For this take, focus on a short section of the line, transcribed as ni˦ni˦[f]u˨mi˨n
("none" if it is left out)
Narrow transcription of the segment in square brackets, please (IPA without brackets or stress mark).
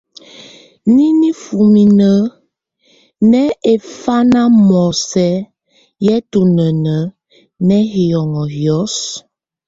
f